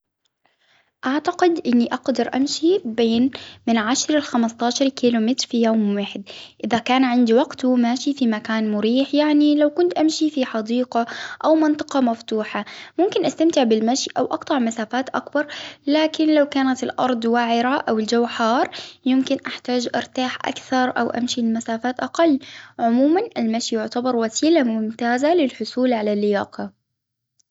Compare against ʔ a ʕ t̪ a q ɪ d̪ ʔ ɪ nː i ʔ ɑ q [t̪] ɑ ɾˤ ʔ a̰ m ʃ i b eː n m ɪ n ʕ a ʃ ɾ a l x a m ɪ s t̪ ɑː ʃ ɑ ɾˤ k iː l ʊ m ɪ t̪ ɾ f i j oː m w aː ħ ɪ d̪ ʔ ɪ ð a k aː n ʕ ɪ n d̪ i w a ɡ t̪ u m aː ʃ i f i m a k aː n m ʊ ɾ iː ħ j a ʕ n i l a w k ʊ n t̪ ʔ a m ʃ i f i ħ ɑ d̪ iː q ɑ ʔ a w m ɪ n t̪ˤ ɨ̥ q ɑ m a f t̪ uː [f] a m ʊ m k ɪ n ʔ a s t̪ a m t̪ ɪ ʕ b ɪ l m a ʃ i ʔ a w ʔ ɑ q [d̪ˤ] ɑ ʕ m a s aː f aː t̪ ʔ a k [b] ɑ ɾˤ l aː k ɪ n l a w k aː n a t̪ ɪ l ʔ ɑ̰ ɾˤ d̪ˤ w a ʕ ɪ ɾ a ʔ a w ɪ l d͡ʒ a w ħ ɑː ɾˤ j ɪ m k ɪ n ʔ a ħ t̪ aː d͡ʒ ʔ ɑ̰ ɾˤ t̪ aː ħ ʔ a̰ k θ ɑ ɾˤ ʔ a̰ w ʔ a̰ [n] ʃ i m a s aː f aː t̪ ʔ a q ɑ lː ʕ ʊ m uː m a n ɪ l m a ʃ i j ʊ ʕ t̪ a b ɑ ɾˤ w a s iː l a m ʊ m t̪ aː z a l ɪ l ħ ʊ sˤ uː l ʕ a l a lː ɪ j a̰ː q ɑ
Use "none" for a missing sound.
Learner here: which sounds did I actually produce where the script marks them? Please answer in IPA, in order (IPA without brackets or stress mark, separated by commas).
d̪, ħ, t̪ˤ, b, m